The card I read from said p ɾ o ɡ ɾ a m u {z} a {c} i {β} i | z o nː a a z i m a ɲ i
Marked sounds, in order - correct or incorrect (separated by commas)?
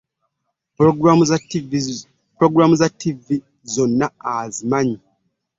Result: correct, incorrect, incorrect